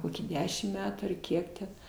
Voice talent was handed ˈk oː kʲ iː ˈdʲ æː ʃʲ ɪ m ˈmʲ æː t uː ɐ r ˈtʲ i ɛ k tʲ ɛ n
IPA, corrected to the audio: ˈk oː kʲ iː ˈdʲ æː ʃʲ ɪ m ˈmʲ æː t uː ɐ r ˈkʲ i ɛ k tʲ ɛ n